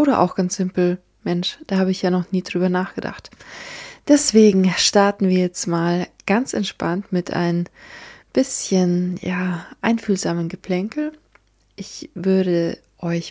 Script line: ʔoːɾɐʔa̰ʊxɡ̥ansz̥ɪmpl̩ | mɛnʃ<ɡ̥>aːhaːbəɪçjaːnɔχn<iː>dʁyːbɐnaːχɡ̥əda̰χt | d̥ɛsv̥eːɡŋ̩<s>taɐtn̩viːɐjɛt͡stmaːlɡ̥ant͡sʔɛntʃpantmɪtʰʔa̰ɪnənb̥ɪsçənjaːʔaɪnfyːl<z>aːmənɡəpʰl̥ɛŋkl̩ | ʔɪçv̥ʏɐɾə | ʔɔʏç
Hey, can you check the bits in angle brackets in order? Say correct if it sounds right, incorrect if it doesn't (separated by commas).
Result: incorrect, correct, incorrect, correct